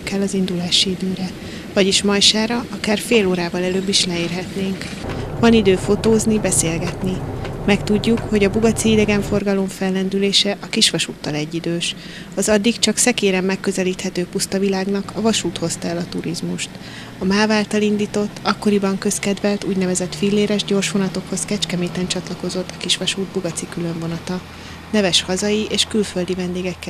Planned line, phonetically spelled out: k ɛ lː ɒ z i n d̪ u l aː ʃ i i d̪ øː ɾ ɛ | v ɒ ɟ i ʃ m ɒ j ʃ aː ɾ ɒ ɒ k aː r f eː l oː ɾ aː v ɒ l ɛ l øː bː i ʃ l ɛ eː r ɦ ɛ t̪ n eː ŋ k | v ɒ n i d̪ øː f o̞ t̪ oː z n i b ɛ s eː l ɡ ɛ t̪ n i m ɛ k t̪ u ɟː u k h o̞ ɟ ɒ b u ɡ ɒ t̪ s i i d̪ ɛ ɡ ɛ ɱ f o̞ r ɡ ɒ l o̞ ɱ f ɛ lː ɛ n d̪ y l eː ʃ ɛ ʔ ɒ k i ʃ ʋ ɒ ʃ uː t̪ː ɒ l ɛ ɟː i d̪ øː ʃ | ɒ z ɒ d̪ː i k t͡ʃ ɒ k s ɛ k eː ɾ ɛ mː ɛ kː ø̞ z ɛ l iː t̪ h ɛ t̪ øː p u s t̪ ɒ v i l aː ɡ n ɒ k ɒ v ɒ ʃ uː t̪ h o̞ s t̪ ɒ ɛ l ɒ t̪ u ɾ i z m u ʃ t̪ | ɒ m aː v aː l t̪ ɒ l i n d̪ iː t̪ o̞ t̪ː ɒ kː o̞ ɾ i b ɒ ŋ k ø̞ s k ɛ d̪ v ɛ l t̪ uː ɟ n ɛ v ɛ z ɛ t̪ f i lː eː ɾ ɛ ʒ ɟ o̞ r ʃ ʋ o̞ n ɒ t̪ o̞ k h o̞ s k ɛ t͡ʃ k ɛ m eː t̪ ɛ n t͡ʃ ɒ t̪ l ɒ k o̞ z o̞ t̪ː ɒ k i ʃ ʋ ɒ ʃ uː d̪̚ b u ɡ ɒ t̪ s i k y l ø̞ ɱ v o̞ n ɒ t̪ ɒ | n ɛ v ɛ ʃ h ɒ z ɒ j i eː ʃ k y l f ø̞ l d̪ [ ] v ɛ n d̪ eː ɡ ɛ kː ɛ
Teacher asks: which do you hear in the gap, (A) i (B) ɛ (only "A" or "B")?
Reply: A